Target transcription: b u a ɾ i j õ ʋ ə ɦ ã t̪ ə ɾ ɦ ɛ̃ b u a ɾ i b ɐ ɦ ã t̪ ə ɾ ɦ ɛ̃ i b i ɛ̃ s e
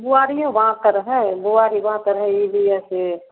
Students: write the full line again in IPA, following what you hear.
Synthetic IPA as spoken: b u a ɾ i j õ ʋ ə ɦ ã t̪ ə ɾ ɦ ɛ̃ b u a ɾ i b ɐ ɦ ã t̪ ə ɾ ɦ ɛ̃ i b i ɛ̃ s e

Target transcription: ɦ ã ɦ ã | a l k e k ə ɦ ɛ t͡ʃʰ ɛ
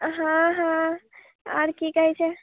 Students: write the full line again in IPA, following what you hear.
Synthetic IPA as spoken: ɦ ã ɦ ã | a ɾ k i k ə ɦ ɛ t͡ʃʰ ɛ

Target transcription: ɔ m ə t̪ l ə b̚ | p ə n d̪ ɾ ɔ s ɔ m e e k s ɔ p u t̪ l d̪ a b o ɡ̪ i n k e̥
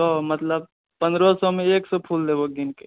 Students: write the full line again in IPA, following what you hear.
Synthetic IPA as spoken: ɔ m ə t̪ l ə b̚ | p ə n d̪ ɾ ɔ s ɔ m e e k s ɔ pʰ u l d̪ e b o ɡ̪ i n k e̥

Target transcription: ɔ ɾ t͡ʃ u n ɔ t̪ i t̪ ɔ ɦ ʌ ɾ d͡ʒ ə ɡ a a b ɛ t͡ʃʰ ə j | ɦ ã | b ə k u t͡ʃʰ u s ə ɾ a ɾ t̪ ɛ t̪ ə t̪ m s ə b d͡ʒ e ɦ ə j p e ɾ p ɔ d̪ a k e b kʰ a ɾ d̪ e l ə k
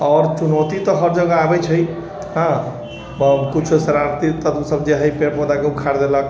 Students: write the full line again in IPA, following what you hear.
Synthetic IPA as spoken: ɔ ɾ t͡ʃ u n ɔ t̪ i t̪ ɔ ɦ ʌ ɾ d͡ʒ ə ɡ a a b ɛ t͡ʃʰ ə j | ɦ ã | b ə k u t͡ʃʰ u s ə ɾ a ɾ t̪ i t̪ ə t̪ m s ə b d͡ʒ e ɦ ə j p e ɾ p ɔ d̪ a k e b kʰ a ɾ d̪ e l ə k

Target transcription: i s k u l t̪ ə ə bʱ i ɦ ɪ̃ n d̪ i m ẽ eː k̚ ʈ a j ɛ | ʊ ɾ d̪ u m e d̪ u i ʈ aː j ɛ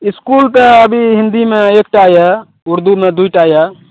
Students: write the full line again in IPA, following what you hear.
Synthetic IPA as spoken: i s k u l t̪ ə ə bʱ i ɦ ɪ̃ n d̪ i m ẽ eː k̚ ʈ a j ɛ | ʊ ɾ d̪ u m e d̪ u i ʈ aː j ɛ

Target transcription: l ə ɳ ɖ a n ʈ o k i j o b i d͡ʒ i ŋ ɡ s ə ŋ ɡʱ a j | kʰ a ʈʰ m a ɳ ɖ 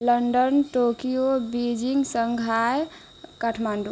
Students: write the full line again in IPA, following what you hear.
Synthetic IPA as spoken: l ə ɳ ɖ ə n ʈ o k i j o b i d͡ʒ i ŋ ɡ s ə ŋ ɡʱ a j | k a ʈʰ m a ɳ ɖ

